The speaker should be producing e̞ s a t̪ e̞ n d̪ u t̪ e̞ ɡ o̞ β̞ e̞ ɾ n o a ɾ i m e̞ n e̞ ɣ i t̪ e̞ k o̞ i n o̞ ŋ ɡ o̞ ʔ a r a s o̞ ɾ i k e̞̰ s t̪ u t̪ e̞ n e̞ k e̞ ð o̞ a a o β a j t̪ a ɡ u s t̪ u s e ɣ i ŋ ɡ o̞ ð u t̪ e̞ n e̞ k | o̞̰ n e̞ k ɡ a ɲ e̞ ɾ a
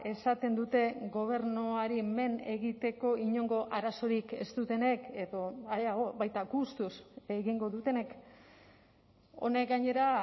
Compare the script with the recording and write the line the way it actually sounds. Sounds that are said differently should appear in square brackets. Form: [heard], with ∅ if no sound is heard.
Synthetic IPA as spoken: e̞ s a t̪ e̞ n d̪ u t̪ e̞ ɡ o̞ β̞ e̞ ɾ n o a ɾ i m e̞ n e̞ ɣ i t̪ e̞ k o̞ i [ɲ] o̞ ŋ ɡ o̞ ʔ a [ɾ] a s o̞ ɾ i k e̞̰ s t̪ u t̪ e̞ n e̞ k e̞ ð o̞ a a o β a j t̪ a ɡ u s t̪ u s e ɣ i ŋ ɡ o̞ ð u t̪ e̞ n e̞ k | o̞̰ n e̞ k ɡ a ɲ e̞ ɾ a